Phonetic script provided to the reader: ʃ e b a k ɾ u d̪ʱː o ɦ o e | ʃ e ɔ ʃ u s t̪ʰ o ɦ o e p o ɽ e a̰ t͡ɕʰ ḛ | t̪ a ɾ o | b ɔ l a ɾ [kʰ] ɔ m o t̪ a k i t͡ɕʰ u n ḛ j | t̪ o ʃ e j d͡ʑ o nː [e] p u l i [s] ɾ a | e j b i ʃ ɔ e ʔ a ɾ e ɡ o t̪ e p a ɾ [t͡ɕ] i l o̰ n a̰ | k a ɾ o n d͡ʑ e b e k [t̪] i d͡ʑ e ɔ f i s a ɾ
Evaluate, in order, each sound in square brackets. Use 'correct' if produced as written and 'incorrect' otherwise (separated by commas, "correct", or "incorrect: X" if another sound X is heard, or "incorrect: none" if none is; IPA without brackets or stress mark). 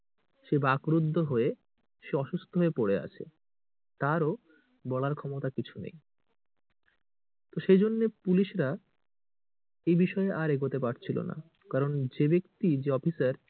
correct, correct, incorrect: ʃ, incorrect: t͡ɕʰ, correct